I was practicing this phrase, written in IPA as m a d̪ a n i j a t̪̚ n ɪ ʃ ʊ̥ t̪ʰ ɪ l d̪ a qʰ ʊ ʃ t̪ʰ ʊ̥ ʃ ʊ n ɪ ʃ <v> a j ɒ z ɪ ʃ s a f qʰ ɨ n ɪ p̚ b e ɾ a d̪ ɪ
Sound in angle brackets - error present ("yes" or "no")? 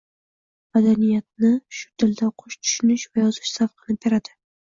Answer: no